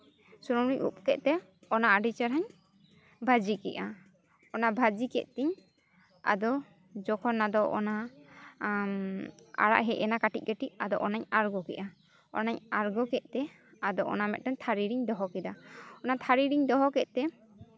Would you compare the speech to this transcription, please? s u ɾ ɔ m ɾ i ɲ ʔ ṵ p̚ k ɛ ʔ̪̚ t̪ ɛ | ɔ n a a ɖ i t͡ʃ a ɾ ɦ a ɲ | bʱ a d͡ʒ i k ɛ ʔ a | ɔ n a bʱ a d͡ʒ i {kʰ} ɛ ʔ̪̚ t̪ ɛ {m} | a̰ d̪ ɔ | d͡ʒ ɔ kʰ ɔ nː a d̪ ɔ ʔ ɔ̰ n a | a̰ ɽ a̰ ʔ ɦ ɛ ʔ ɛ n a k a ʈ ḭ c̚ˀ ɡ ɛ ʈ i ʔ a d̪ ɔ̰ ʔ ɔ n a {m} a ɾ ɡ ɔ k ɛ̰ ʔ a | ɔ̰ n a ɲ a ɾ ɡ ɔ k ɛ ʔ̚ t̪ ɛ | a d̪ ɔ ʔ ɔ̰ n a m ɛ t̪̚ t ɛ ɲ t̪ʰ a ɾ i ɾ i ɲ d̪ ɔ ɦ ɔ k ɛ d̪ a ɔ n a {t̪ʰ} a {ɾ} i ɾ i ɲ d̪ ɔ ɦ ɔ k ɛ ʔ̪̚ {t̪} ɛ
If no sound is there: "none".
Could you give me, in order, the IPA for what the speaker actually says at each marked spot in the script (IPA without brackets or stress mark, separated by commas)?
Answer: k, ɲ, ɲ, t̪ʰ, ɾ, t̪